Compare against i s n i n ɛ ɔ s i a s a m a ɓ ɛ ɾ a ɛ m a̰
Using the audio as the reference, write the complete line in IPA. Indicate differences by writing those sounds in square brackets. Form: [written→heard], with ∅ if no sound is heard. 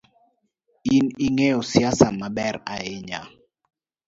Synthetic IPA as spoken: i [s→∅] n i [n→ŋ] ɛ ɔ s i a s a m a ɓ ɛ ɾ a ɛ [m→ɲ] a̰

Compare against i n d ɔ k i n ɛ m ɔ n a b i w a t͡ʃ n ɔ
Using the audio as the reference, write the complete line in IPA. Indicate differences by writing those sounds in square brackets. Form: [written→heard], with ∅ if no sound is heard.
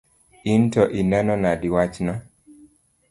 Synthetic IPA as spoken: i n [d→t] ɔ [k→ʔ] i n ɛ [m→n] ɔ n a [b→d] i w a t͡ʃ n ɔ

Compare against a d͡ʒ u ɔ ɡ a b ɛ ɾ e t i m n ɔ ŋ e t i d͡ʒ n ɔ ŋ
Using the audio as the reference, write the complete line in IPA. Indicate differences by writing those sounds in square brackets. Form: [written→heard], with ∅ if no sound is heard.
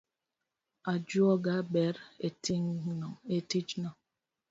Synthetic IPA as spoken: a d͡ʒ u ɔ ɡ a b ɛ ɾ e t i [m→ŋ] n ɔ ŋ e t i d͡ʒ n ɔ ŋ

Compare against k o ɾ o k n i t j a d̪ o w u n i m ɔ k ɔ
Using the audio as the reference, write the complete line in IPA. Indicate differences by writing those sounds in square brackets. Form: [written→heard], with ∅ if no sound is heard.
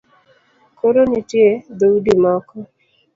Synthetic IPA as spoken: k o ɾ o [k→∅] n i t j [a→e] d̪ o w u [n→d] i m ɔ k ɔ

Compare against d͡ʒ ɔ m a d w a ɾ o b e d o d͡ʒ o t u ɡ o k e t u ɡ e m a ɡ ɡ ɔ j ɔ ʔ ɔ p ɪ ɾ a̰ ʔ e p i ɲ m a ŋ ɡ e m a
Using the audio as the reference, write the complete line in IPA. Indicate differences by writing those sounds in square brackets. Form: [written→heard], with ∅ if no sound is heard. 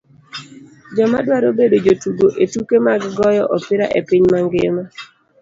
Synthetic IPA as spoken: d͡ʒ ɔ m a d w a ɾ o b e d o d͡ʒ o t u ɡ o [k→ʔ] e t u [ɡ→k] e m a ɡ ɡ ɔ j ɔ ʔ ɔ p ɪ ɾ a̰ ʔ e p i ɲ m a ŋ ɡ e m a

